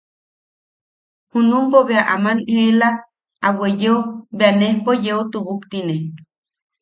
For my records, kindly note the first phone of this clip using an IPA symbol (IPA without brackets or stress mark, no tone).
h